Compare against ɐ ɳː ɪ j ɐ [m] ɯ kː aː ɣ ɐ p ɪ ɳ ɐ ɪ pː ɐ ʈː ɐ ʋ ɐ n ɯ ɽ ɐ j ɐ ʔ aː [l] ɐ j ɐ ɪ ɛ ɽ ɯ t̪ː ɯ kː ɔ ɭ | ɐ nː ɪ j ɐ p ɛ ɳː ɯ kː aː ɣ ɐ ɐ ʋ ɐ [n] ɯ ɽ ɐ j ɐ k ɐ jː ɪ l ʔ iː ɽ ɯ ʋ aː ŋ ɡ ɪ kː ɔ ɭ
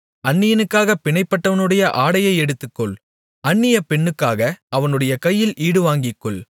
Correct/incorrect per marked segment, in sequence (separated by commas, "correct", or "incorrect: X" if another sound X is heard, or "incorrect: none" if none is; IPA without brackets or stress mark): incorrect: n, incorrect: ɽ, correct